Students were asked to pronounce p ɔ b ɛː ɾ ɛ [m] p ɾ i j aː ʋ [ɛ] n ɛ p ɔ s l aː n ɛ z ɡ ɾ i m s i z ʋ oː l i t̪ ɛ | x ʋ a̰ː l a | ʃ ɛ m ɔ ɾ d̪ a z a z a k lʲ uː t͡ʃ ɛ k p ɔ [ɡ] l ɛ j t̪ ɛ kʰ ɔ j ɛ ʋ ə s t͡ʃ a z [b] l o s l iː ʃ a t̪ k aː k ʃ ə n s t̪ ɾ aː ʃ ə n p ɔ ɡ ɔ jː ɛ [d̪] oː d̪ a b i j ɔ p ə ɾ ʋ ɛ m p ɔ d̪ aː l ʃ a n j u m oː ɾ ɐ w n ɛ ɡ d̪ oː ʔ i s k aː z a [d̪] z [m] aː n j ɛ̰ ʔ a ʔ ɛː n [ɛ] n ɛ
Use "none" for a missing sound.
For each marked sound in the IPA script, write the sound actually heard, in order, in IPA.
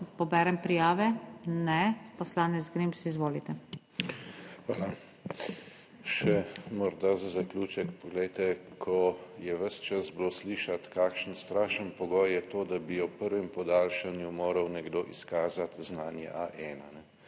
m, ɛ, ɡ, b, t̪, t̪, n, a

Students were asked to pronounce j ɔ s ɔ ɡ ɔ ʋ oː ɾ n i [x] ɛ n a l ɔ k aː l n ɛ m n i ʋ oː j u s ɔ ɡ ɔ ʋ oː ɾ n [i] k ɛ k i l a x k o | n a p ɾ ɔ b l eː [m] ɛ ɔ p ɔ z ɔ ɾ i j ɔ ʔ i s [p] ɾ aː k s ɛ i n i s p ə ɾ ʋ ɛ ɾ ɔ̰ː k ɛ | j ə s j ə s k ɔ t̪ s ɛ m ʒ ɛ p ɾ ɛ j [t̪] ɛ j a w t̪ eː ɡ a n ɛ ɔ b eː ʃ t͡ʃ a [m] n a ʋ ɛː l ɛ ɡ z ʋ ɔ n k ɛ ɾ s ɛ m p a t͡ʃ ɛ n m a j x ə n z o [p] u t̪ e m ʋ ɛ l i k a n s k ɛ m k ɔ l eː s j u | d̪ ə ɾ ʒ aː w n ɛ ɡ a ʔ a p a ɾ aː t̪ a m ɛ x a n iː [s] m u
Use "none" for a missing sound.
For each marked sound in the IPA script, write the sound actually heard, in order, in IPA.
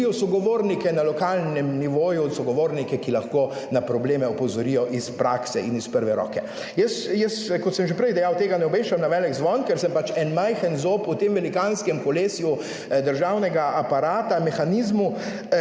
k, i, m, p, d̪, m, p, z

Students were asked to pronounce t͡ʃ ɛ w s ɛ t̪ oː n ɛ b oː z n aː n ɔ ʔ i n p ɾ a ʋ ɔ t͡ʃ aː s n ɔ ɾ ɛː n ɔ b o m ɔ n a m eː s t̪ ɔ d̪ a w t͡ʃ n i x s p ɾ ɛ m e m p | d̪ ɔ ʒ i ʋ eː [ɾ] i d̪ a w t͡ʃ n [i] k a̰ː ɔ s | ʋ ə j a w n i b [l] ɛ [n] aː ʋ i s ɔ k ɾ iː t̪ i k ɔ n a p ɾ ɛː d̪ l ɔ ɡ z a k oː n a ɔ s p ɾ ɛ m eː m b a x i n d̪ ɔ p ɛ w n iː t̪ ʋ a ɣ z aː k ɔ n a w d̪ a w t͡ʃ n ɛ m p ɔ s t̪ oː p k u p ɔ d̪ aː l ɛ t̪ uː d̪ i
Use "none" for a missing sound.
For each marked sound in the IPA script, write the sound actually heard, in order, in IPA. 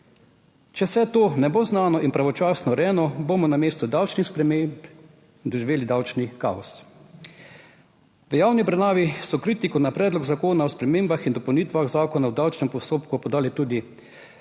l, i, ɾ, n

